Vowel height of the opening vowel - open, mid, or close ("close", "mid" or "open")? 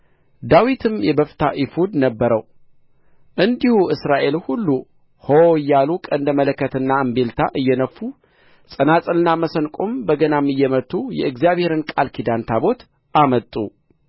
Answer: open